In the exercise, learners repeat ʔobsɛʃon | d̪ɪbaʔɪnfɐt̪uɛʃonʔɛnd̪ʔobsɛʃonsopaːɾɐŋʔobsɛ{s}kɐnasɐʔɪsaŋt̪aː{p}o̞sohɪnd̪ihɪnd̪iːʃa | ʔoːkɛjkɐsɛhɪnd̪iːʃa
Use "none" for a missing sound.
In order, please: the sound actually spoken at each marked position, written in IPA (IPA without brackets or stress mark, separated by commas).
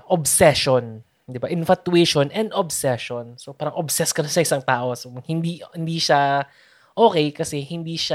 s, ʔ